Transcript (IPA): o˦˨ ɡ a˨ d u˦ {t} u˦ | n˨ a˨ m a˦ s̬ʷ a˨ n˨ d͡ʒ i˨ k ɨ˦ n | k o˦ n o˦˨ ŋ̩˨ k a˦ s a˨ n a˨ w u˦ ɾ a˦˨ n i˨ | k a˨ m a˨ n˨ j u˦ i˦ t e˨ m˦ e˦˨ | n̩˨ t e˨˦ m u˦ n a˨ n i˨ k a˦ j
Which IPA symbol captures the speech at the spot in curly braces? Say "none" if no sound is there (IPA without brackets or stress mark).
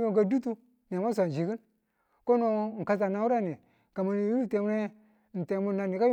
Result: t